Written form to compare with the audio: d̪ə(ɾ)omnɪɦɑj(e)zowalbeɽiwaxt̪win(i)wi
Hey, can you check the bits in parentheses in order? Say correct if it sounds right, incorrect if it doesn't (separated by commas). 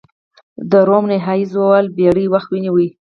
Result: correct, incorrect, correct